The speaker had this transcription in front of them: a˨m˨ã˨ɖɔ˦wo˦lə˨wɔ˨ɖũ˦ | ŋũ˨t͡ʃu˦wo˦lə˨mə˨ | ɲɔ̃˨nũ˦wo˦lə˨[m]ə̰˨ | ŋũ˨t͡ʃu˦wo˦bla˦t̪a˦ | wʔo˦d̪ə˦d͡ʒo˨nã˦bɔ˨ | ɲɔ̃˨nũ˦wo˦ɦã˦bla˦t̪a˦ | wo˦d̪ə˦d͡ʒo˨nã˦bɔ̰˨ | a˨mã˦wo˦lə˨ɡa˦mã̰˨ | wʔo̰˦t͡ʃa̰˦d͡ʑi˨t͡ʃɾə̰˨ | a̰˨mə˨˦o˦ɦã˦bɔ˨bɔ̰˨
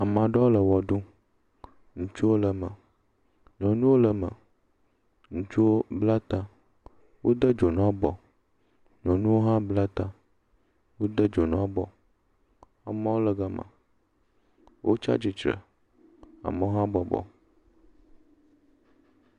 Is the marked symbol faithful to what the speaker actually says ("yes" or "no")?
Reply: yes